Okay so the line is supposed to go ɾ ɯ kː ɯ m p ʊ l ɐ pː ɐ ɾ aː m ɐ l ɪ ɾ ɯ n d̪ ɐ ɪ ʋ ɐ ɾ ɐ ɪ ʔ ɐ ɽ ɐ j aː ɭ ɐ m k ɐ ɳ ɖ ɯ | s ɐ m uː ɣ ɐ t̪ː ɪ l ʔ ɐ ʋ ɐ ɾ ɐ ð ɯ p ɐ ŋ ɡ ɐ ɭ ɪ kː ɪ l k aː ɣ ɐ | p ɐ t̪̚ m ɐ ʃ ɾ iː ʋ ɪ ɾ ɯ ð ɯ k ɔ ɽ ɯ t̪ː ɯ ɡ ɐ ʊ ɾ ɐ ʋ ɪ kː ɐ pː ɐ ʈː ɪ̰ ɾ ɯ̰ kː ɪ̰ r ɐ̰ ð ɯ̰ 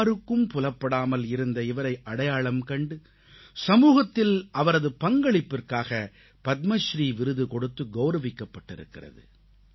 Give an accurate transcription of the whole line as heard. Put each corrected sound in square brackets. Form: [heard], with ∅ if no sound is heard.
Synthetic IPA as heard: ɾ ɯ kː ɯ m p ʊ l ɐ pː ɐ [ɽ] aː m ɐ l ɪ ɾ ɯ n d̪ ɐ ɪ ʋ ɐ ɾ ɐ ɪ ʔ ɐ ɽ ɐ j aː ɭ ɐ m k ɐ ɳ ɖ ɯ | s ɐ m uː ɣ ɐ t̪ː ɪ l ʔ ɐ ʋ ɐ ɾ ɐ ð ɯ p ɐ ŋ ɡ ɐ ɭ ɪ [pː] ɪ [r] k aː ɣ ɐ | p ɐ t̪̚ m ɐ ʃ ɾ iː ʋ ɪ ɾ ɯ ð ɯ k ɔ ɽ ɯ t̪ː ɯ ɡ ɐ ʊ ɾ ɐ ʋ ɪ kː ɐ pː ɐ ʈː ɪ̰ ɾ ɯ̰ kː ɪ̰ r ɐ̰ ð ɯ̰